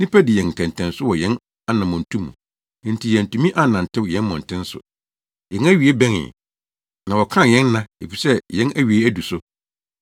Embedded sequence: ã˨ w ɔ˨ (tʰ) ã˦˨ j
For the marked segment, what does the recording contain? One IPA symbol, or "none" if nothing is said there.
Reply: kʰ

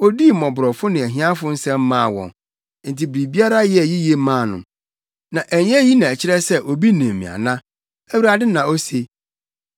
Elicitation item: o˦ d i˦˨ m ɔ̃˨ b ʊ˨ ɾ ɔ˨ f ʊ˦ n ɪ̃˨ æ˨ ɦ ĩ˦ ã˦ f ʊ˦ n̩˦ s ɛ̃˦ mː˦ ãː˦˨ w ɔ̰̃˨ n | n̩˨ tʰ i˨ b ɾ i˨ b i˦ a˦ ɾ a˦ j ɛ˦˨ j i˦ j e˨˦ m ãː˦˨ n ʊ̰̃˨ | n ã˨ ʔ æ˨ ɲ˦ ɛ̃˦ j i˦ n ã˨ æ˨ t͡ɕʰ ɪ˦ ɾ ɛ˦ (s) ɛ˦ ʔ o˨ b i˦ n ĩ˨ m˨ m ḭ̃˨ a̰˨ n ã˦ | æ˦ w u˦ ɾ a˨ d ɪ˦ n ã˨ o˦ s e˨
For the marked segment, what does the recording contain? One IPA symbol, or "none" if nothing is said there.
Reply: s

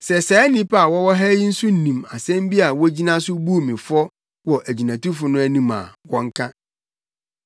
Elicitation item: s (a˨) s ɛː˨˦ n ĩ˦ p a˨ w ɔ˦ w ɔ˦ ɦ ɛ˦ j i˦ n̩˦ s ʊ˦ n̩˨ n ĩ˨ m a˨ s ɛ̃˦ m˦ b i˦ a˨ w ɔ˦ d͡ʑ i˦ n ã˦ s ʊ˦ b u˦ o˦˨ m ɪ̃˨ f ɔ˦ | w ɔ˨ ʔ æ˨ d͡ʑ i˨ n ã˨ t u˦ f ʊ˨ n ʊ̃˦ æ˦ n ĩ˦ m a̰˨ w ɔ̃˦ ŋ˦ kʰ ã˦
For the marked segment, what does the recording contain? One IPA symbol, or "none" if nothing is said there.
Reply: ɛ˨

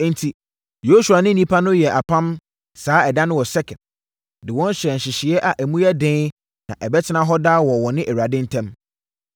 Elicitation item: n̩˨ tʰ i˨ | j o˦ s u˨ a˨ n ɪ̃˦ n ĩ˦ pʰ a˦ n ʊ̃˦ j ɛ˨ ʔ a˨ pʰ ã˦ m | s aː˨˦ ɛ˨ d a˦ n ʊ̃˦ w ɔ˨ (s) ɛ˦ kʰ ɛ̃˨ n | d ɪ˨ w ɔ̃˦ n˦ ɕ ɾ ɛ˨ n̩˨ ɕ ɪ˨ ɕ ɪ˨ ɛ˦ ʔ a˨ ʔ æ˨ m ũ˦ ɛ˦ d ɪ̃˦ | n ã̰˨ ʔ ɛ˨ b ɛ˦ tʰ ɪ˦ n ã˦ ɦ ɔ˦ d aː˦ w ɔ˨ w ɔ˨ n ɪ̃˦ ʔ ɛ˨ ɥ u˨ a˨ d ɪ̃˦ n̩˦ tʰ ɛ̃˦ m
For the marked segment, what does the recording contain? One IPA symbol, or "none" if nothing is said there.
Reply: s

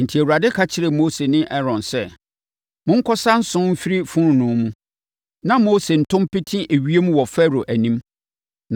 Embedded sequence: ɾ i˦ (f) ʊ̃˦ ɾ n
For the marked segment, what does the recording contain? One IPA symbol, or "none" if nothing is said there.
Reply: f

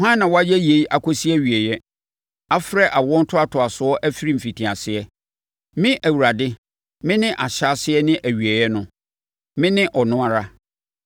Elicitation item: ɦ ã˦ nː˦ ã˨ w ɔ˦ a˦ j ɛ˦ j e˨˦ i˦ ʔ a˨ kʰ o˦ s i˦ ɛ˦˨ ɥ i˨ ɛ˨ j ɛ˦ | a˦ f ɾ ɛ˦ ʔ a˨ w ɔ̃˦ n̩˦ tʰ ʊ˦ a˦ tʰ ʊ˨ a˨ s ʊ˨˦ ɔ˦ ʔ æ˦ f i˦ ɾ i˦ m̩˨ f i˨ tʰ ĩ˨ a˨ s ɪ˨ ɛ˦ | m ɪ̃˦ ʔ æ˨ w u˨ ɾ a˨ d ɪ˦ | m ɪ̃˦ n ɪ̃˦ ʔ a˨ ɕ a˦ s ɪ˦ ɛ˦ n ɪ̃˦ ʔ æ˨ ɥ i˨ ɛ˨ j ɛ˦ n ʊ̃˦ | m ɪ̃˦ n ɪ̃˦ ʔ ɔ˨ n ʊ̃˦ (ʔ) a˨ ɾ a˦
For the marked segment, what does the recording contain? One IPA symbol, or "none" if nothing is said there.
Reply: none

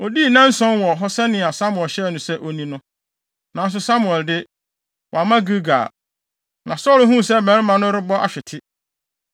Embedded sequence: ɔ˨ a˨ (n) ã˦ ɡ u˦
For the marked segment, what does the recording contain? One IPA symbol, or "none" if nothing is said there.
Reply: m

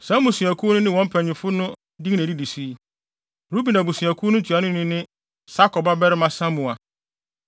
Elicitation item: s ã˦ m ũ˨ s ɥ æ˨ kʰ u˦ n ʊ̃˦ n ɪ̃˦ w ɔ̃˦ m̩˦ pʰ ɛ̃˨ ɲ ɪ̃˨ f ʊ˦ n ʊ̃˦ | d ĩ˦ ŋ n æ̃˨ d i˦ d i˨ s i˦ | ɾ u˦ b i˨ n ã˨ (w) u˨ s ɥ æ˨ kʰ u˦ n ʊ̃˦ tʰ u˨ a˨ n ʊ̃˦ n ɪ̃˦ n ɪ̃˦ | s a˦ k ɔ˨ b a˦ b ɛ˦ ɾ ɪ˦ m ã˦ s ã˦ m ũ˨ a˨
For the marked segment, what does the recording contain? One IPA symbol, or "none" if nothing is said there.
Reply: b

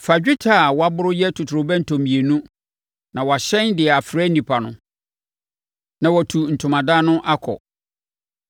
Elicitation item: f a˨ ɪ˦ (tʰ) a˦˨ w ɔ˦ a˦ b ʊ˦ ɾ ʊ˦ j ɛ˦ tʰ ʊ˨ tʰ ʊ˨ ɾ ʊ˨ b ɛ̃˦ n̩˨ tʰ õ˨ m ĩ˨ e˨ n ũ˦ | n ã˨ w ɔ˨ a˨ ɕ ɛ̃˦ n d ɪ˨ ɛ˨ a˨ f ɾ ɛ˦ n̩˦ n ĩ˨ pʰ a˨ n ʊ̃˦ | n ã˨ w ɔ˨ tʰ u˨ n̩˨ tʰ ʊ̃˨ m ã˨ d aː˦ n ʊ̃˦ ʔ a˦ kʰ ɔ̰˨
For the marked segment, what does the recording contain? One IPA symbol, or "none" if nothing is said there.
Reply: tʰ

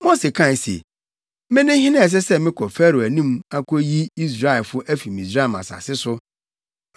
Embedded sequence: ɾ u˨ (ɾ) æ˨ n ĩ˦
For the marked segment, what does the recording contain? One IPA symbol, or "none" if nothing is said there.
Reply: none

